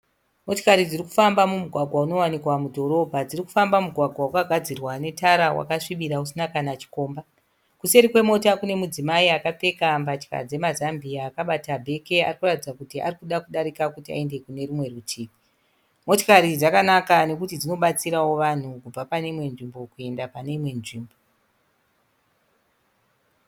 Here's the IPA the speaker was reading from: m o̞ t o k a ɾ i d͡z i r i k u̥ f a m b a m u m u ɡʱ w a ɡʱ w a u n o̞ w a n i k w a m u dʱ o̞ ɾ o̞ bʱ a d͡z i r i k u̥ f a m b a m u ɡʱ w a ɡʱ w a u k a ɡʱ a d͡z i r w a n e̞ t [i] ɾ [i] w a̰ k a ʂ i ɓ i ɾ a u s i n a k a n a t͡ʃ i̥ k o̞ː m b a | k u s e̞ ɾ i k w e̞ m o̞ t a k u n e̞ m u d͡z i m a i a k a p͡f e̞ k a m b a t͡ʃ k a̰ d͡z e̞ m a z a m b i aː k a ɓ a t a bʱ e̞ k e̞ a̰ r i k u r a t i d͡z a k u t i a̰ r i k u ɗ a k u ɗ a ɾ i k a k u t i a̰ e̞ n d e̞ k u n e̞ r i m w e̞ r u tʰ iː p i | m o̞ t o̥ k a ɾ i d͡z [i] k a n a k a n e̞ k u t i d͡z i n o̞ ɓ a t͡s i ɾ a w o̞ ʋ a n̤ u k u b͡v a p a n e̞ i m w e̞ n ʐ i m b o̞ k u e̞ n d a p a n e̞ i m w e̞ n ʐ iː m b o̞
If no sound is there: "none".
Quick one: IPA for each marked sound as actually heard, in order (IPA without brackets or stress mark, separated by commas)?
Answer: a, a, a